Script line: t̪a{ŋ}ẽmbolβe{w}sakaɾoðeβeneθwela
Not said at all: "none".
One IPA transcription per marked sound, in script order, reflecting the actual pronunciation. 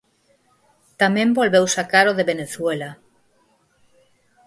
m, w

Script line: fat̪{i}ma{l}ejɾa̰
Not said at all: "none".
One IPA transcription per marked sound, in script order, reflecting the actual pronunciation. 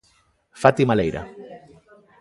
i, l

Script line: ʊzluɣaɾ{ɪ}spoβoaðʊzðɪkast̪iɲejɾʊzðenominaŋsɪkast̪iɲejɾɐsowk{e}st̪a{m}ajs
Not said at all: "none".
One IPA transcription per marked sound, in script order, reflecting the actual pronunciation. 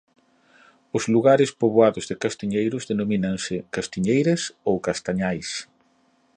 ɪ, a, ɲ

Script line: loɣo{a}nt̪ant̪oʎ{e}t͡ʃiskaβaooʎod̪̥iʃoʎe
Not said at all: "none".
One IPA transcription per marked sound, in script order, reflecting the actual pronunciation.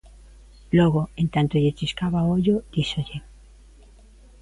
e, e

